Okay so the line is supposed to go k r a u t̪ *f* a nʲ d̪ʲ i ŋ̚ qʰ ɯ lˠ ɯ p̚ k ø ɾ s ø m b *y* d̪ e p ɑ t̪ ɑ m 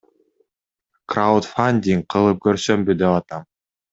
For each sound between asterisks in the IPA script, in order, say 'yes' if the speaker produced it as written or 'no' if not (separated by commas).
yes, yes